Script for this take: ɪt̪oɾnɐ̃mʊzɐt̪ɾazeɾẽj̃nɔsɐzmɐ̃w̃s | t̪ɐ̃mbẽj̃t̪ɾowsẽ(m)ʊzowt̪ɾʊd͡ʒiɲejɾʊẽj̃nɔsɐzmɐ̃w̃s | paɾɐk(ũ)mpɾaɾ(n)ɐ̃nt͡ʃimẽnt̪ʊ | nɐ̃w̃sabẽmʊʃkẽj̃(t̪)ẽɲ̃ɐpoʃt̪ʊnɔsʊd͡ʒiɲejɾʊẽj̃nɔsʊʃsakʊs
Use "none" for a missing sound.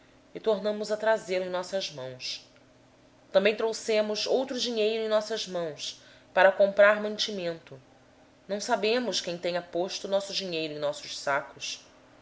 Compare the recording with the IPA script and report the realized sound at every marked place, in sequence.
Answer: m, õ, m, t̪

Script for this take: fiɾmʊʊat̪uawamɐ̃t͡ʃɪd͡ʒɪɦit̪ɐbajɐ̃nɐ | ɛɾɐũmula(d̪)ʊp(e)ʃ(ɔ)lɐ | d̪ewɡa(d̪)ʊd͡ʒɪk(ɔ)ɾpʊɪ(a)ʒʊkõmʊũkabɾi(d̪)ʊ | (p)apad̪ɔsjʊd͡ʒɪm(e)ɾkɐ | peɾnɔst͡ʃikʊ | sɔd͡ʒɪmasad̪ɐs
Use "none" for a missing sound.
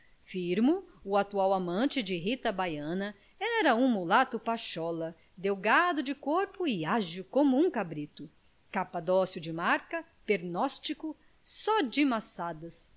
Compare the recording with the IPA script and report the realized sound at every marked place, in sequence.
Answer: t̪, a, ɔ, d̪, o, a, t̪, k, a

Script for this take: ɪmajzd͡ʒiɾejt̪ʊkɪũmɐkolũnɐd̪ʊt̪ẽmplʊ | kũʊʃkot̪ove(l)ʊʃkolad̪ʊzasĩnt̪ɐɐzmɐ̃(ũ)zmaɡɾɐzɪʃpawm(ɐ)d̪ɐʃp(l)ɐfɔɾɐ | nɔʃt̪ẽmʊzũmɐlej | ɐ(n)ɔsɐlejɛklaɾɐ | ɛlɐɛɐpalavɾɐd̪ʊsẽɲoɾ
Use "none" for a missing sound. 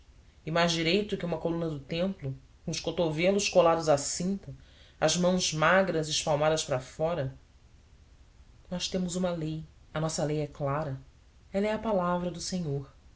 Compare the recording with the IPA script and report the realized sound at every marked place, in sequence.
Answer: l, w̃, a, ɾ, n

